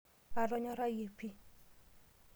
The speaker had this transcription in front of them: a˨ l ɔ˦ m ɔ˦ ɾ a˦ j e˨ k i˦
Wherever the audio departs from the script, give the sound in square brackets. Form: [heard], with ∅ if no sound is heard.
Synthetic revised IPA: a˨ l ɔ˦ [ɲ] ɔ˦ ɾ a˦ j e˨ [p] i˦